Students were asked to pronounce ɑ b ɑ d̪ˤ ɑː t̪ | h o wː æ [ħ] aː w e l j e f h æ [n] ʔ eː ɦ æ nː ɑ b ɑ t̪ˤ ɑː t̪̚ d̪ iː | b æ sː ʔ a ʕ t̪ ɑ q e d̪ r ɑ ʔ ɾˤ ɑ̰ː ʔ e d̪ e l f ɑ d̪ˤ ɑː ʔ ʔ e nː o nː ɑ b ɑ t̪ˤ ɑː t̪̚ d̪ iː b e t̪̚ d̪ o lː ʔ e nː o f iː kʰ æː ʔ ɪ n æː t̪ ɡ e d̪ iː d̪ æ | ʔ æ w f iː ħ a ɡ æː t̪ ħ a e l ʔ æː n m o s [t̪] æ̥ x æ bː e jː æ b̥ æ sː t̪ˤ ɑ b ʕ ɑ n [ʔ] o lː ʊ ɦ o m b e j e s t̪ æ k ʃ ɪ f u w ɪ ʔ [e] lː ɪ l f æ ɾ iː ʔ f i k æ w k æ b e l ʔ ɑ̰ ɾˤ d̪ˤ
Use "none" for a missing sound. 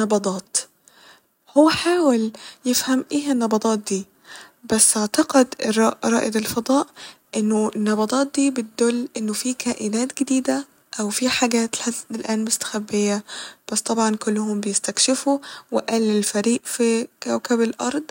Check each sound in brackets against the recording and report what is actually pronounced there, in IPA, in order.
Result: ħ, m, t̪, k, æ

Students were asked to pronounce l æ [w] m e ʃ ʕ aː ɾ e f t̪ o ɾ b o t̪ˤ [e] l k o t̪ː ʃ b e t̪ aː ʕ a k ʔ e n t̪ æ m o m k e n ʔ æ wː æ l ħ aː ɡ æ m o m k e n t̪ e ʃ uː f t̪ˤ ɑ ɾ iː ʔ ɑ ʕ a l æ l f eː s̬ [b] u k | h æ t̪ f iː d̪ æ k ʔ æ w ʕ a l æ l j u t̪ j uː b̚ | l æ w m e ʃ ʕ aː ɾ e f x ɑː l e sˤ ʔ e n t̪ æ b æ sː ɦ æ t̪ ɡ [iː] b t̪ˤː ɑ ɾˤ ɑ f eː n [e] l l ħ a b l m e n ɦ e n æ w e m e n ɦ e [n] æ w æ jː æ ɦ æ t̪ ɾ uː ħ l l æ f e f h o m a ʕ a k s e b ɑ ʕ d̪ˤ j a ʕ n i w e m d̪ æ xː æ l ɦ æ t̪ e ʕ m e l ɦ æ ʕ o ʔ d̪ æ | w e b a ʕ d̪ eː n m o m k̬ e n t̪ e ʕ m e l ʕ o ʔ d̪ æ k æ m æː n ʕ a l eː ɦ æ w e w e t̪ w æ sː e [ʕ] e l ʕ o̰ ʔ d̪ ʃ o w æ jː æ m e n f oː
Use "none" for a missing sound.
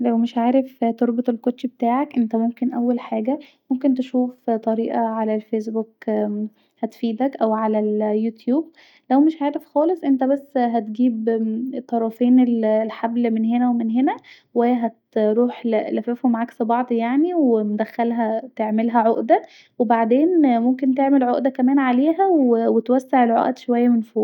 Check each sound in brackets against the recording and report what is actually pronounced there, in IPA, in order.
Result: w, e, b, iː, e, n, ʕ

